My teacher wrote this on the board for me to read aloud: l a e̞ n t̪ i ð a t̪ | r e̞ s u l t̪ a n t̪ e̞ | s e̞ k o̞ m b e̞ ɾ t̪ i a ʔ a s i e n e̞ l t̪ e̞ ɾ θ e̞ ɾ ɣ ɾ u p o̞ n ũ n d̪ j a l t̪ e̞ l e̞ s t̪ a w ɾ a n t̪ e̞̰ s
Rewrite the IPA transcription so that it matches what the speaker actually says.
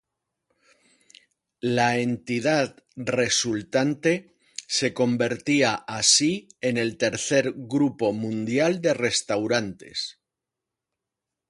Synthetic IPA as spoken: l a e̞ n t̪ i ð a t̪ | r e̞ s u l t̪ a n t̪ e̞ | s e̞ k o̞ m b e̞ ɾ t̪ i a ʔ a s i e n e̞ l t̪ e̞ ɾ θ e̞ ɾ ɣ ɾ u p o̞ m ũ n d̪ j a l d̪ e̞ r e̞ s t̪ a w ɾ a n t̪ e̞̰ s